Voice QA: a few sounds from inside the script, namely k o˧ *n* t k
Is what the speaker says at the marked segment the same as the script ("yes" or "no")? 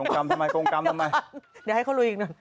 no